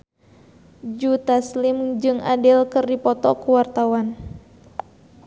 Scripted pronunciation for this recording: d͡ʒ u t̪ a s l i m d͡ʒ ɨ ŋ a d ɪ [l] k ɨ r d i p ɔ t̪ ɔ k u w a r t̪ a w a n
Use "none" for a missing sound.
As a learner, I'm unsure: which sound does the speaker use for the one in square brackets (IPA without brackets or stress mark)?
l